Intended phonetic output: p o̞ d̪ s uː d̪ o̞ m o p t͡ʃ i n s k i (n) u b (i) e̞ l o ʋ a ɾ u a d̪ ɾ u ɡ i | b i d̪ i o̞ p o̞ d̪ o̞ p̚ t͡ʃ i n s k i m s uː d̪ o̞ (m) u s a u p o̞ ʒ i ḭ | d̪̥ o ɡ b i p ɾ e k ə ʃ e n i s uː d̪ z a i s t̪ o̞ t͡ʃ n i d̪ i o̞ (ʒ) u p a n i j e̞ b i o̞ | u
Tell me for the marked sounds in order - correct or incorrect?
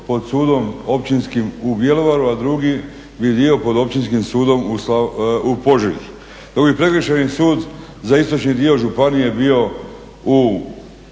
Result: incorrect, incorrect, correct, correct

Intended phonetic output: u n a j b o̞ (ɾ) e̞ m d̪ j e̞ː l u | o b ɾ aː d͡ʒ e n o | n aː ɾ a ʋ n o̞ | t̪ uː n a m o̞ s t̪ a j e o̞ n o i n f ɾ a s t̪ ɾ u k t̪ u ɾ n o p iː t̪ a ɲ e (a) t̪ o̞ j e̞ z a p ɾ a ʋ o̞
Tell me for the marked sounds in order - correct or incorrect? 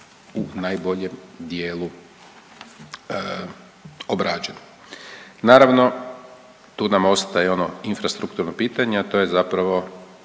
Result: incorrect, correct

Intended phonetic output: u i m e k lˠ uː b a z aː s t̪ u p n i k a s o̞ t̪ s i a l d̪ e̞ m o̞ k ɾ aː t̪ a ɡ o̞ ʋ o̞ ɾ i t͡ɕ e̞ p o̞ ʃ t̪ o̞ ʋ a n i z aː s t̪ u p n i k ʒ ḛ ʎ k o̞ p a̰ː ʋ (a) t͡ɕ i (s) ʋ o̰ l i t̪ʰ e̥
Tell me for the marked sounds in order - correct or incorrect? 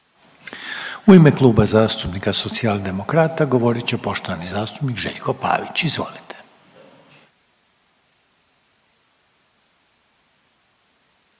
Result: incorrect, incorrect

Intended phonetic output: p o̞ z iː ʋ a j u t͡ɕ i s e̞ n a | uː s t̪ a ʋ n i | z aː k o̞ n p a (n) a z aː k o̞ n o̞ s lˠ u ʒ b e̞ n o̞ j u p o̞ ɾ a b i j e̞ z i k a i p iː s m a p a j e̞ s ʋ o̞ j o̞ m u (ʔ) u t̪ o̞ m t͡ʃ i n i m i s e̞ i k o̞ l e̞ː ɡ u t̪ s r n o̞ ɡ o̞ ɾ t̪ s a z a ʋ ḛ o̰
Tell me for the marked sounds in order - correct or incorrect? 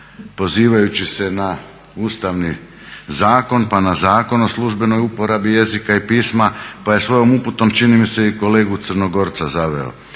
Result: correct, incorrect

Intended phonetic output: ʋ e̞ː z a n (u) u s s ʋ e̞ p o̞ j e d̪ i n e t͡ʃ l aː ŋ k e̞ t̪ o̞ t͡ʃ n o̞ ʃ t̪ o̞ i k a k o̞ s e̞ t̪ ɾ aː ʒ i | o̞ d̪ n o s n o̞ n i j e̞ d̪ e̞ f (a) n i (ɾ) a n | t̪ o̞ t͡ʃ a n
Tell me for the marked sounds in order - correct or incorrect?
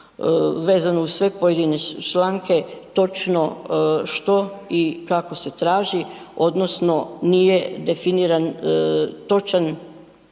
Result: incorrect, incorrect, correct

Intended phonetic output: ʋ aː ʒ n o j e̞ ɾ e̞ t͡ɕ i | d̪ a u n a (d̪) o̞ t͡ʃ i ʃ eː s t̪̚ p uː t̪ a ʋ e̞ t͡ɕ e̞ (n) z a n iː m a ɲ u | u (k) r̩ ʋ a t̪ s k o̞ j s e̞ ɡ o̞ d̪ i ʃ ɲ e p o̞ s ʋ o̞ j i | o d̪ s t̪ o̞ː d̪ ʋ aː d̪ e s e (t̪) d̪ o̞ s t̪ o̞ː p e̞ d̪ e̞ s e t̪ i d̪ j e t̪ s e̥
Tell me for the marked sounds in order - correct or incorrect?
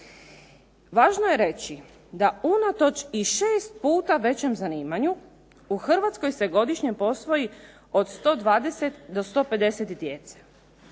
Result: incorrect, incorrect, incorrect, correct

